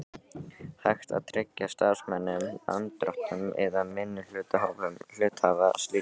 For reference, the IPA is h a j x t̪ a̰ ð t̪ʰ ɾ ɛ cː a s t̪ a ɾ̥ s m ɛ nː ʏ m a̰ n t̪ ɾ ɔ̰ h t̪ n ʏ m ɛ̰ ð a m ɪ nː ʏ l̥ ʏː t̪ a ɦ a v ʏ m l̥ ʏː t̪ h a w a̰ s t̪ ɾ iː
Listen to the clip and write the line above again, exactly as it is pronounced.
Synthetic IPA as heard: h a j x t̪ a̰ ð t̪ʰ ɾ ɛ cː a s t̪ a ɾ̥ s m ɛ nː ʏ m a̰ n t̪ ɾ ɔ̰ h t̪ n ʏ m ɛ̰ ð a m ɪ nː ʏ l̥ ʏː t̪ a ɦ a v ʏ m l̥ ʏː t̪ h a v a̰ s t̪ l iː